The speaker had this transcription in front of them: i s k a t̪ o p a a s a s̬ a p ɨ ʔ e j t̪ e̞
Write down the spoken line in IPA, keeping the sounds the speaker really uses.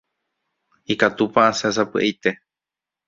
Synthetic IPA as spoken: i k a t̪ u p a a s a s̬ a p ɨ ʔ e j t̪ e̞